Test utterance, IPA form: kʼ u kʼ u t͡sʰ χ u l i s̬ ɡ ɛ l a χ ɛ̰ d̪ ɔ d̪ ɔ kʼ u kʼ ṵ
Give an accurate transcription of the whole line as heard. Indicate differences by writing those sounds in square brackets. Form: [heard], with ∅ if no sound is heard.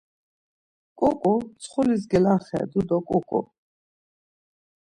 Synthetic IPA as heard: kʼ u kʼ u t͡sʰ χ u l i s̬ ɡ ɛ l a χ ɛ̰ d̪ [u] d̪ ɔ kʼ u kʼ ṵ

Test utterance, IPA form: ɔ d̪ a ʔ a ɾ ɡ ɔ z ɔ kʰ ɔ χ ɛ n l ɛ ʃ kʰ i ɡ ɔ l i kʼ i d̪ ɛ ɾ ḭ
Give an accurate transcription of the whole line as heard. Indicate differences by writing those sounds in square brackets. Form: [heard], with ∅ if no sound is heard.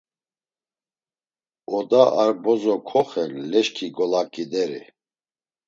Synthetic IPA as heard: ɔ d̪ a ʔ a ɾ [b] ɔ z ɔ kʰ ɔ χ ɛ n l ɛ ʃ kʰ i ɡ ɔ l [a] kʼ i d̪ ɛ ɾ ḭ

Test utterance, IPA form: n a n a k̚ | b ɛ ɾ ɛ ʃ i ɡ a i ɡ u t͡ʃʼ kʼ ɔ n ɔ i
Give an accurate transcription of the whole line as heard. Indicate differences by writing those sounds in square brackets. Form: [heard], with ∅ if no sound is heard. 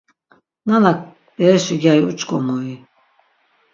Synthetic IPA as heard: n a n a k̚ | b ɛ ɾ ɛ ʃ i ɡ a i [∅] u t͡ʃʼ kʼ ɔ [m] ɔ i

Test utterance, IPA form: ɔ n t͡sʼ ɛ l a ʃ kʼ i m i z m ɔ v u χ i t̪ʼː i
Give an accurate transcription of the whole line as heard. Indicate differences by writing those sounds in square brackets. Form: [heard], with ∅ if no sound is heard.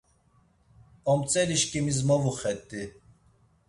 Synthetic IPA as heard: ɔ [m] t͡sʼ ɛ l [i] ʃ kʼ i m i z m ɔ v u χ [ɛ] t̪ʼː i

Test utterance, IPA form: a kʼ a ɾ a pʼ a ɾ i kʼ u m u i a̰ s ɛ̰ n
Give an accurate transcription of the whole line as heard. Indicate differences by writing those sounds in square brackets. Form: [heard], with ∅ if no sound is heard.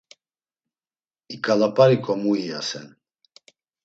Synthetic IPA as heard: [i] kʼ a [l] a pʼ a ɾ i kʼ [ɔ] m u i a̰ s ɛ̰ n

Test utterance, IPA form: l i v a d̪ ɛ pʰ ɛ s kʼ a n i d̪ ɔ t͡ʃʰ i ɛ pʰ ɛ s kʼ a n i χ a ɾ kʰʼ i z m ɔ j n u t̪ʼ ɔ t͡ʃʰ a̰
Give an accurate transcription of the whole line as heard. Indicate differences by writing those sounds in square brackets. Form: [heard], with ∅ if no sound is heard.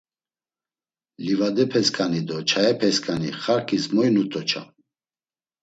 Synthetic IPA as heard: l i v a d̪ ɛ pʰ ɛ s kʼ a n i d̪ ɔ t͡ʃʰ [a] ɛ pʰ ɛ s kʼ a n i χ a ɾ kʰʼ i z m ɔ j n u t̪ʼ ɔ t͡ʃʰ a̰

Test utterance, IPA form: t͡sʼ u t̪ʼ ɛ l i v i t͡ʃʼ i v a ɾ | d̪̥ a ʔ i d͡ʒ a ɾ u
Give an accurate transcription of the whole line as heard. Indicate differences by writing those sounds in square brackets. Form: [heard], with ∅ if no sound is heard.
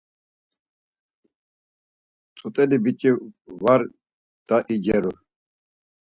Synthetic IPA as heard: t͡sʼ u t̪ʼ ɛ l i [b] i t͡ʃʼ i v a ɾ | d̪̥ a ʔ i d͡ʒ [ɛ] ɾ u

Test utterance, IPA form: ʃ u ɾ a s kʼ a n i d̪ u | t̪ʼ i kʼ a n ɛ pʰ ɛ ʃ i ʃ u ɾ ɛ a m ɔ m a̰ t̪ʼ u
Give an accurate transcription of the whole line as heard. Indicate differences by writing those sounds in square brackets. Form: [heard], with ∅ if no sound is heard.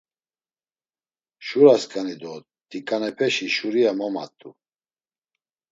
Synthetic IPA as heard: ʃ u ɾ a s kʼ a n i d̪ [ɔ] | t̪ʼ i kʼ a n ɛ pʰ ɛ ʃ i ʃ u ɾ [i] a m ɔ m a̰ t̪ʼ u

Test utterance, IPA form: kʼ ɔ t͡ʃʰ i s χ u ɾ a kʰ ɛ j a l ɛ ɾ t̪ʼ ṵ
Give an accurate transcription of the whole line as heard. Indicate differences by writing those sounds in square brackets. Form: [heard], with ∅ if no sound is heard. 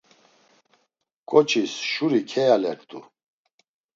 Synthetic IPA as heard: kʼ ɔ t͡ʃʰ i s [ʃ] u ɾ [i] kʰ ɛ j a l ɛ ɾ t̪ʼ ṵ

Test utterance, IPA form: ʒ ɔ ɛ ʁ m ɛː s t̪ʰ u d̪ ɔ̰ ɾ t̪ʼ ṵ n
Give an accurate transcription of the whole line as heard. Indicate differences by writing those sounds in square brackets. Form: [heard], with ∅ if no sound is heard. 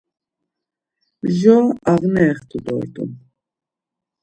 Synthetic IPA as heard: ʒ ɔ [a] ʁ [n] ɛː [χ] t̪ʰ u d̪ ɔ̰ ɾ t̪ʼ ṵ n

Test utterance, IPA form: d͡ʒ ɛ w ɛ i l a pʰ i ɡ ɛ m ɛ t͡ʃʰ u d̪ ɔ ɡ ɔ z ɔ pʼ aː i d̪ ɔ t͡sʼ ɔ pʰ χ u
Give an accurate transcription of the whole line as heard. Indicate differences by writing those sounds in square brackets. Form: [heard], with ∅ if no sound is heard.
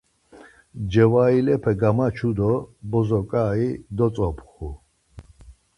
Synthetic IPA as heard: d͡ʒ ɛ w [a] i l [ɛ] pʰ [ɛ] ɡ [a] m [a] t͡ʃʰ u d̪ ɔ [b] ɔ z ɔ [kʼ] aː i d̪ ɔ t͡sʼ ɔ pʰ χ u

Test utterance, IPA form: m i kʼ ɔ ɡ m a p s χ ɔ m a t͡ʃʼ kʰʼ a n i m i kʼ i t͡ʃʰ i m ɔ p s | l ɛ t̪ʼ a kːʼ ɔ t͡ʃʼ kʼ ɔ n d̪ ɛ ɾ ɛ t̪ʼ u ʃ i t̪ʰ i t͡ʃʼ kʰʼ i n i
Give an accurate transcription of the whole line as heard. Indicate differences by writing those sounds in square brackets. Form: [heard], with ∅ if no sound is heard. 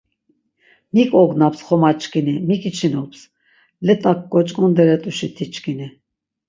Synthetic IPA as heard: m i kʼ ɔ ɡ [n] a p s χ ɔ m a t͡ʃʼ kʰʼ [i] n i m i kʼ i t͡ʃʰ i [n] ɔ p s | l ɛ t̪ʼ a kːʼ ɔ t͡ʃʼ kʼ ɔ n d̪ ɛ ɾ ɛ t̪ʼ u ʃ i t̪ʰ i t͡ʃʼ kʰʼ i n i

